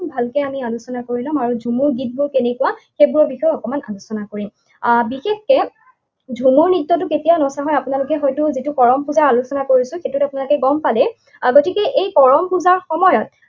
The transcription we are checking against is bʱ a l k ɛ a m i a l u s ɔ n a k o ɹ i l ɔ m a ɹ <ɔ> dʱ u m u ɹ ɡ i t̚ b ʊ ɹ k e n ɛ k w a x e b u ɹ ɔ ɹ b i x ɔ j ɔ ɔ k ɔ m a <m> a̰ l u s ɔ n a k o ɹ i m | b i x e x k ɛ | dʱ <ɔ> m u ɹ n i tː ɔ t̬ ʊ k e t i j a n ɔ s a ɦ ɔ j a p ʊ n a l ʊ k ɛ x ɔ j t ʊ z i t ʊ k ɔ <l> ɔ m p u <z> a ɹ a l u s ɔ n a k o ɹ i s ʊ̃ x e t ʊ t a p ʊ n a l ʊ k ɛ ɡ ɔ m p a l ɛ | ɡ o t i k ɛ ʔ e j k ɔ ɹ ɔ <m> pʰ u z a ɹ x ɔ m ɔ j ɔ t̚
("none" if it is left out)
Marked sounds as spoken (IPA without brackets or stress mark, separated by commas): u, n, u, ɹ, z, m